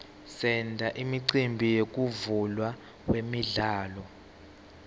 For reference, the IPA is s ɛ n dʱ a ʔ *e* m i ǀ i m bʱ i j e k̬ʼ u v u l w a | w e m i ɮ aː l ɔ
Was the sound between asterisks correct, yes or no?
no